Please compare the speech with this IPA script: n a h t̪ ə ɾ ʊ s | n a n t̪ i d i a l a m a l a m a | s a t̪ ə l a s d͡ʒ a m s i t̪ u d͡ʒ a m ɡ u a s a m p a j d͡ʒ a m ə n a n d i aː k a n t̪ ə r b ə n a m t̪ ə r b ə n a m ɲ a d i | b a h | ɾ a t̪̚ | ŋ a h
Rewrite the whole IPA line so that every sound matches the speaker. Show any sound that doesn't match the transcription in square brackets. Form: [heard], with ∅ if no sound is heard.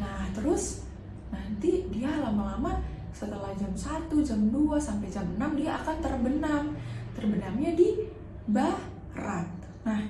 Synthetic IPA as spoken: n a h t̪ ə ɾ ʊ s | n a n t̪ i d i a l a m a l a m a | s [ə] t̪ ə l a [h] d͡ʒ a m s [a] t̪ u d͡ʒ a m [d] u a s a m p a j d͡ʒ a m ə n a [m] d i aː k a n t̪ ə r b ə n a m t̪ ə r b ə n a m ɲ a d i | b a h | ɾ a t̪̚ | [n] a h